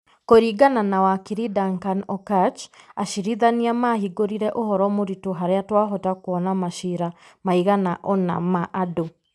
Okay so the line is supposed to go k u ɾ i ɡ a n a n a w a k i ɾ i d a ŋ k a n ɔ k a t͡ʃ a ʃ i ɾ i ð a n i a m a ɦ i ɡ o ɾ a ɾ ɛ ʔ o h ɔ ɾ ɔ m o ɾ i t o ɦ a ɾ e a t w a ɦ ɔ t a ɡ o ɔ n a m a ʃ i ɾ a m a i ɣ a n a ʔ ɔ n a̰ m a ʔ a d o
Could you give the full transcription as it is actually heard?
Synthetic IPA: k o ɾ i ɡ a n a n a w a k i ɾ i d a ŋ k a n ɔ k a t͡ʃ a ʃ i ɾ i ð a n i a m a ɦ i ɡ o ɾ i ɾ ɛ ʔ o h ɔ ɾ ɔ m o ɾ i t o ɦ a ɾ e a t w a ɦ ɔ t a k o ɔ n a m a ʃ i ɾ a m a i ɣ a n a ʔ ɔ n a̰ m a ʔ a d o